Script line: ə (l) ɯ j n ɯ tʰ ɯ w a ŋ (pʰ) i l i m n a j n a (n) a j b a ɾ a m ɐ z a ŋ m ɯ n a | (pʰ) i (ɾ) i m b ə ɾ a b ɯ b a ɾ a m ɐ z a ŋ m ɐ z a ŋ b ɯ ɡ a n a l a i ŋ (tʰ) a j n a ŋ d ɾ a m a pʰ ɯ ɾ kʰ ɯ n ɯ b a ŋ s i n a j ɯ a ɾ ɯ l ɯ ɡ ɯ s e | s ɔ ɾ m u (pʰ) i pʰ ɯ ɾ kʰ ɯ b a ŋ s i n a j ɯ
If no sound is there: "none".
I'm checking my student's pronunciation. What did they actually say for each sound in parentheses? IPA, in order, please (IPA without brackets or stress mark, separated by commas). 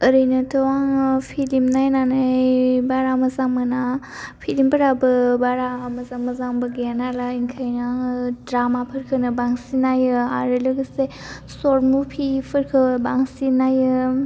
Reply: ɾ, pʰ, n, pʰ, l, kʰ, pʰ